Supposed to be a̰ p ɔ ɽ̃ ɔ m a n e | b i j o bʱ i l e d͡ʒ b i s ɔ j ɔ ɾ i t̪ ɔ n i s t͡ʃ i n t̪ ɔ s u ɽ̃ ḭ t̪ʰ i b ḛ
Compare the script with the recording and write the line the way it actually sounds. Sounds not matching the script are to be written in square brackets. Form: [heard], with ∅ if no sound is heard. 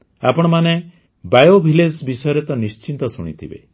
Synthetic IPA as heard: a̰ p ɔ ɽ̃ ɔ m a n e | b [a] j o bʱ i l e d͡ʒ b i s ɔ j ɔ ɾ [e] t̪ ɔ n i s t͡ʃ i n t̪ ɔ s u ɽ̃ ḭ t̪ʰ i b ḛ